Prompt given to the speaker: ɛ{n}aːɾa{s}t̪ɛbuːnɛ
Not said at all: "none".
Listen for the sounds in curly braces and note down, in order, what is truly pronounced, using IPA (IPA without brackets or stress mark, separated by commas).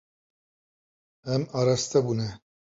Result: m, s